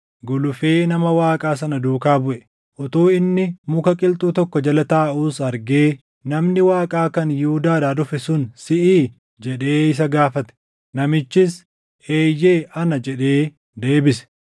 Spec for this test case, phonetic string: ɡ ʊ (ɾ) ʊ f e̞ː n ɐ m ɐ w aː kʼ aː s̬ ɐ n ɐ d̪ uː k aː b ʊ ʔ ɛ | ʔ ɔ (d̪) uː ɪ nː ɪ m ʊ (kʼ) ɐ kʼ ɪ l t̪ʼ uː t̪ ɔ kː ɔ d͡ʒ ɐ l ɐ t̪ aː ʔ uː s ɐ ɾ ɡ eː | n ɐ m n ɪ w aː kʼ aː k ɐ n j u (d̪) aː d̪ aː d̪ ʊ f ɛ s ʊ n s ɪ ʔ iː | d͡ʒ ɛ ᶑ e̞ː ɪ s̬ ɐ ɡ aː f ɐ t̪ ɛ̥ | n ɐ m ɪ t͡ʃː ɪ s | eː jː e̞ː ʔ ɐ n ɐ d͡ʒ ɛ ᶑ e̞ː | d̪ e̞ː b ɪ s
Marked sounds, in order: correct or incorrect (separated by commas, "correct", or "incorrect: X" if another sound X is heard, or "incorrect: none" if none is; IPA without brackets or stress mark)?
incorrect: l, incorrect: t̪, incorrect: k, correct